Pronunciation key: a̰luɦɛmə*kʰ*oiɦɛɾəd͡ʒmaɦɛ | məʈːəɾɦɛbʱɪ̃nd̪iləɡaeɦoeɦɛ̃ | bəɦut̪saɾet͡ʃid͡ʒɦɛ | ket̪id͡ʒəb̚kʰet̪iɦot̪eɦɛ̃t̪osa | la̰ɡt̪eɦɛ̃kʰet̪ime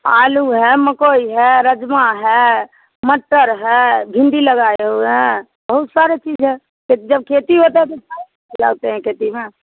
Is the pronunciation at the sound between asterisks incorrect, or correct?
incorrect